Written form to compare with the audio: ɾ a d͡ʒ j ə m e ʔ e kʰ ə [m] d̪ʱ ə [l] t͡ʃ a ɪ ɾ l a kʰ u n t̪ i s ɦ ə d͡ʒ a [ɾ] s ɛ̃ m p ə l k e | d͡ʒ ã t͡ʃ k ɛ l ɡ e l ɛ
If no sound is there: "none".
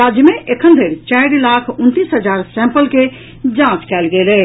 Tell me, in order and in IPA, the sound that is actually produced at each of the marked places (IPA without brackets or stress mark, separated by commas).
n, ɾ, ɾ